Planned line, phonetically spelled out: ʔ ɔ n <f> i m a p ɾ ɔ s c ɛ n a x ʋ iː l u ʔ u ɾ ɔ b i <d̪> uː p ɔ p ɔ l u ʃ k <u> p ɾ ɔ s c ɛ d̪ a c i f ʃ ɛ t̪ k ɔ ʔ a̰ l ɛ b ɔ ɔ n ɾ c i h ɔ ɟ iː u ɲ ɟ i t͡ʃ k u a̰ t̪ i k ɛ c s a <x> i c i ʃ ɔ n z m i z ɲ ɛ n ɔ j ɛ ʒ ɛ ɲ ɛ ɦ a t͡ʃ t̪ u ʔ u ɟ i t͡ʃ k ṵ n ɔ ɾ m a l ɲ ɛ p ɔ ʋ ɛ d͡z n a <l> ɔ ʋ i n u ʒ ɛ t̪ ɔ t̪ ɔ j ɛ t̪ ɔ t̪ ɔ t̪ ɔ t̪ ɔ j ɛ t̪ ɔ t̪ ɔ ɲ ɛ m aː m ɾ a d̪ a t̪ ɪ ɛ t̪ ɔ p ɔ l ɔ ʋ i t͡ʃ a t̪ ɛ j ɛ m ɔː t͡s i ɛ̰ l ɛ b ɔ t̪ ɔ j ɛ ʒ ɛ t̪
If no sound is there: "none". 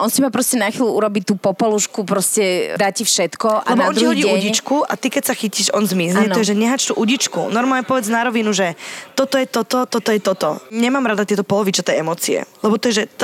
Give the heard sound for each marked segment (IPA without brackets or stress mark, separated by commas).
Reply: s, t̪, u, x, ɾ